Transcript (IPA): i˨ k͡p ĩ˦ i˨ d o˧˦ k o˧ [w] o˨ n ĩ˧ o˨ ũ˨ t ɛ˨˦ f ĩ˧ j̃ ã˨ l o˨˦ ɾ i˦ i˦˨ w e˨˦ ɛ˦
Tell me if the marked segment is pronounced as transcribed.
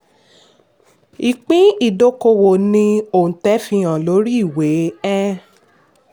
yes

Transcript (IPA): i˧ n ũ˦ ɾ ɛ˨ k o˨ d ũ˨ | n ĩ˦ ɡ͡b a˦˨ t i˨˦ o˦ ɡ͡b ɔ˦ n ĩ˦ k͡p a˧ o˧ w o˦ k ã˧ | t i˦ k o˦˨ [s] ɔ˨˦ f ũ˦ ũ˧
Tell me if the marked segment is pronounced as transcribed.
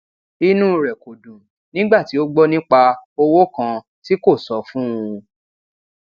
yes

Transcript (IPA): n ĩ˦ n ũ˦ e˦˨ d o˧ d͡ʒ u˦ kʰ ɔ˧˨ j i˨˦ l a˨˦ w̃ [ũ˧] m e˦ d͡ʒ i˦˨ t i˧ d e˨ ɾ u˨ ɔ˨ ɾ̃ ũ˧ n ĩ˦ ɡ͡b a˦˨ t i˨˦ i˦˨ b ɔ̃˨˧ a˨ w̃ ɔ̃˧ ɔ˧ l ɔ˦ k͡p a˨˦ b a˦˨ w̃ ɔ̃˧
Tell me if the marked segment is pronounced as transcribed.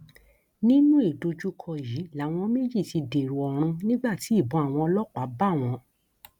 no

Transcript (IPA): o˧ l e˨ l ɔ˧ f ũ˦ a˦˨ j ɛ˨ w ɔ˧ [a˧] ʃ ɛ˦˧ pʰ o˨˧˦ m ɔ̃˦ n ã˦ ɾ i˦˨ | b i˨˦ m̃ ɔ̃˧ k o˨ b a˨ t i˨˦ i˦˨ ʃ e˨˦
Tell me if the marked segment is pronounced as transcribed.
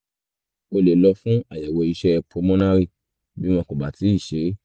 no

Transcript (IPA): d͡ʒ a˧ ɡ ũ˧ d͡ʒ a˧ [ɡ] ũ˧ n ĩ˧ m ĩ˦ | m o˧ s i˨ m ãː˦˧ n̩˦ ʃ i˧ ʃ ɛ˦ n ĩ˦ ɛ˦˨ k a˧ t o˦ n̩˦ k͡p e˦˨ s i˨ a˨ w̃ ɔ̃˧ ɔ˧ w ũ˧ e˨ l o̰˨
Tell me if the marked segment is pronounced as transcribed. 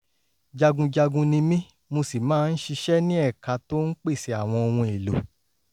yes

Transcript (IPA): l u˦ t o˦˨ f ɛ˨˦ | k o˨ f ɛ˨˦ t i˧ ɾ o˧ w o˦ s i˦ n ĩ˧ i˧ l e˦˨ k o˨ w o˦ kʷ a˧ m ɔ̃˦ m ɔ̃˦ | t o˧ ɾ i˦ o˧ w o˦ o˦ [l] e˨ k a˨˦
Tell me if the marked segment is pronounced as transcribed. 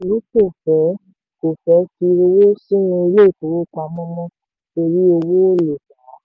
yes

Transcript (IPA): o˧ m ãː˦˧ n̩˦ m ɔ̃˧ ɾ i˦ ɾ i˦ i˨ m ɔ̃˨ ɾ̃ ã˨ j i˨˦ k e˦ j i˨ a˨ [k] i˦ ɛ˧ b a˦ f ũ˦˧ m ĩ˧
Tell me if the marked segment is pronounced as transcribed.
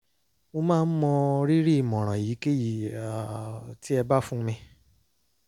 no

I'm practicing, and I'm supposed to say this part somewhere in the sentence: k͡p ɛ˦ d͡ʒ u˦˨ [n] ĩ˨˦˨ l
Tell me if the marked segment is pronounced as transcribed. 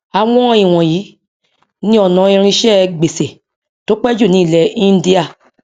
yes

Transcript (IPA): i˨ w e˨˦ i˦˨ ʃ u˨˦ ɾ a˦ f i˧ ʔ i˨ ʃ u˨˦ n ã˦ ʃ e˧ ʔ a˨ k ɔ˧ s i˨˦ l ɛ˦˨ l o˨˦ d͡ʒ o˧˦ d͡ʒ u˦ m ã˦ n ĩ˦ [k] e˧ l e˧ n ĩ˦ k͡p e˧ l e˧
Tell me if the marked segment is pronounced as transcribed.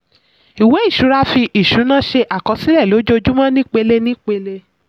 no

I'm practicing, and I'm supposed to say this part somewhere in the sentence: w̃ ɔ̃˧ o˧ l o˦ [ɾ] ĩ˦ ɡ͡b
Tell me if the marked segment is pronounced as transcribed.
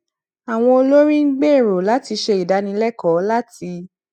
yes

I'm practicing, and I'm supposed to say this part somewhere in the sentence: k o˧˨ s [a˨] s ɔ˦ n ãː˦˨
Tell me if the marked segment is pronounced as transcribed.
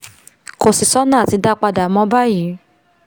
no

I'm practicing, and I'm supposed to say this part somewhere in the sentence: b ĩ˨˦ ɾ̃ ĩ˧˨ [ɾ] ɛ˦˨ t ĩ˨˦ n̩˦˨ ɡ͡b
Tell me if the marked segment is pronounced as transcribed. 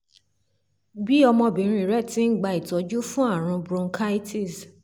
yes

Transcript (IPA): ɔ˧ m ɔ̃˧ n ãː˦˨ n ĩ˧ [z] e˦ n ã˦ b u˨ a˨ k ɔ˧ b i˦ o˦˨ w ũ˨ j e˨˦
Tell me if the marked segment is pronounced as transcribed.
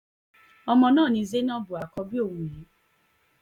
yes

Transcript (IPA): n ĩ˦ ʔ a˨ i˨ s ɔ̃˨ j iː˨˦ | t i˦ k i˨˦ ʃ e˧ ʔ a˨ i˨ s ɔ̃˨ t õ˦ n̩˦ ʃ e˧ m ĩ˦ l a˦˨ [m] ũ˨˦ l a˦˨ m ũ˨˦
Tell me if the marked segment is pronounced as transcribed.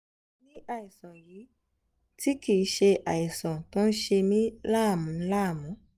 yes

